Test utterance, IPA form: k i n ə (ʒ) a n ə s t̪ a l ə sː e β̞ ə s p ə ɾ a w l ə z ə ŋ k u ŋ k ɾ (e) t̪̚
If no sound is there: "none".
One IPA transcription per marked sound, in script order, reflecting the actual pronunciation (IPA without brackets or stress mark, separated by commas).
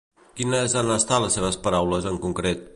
z, e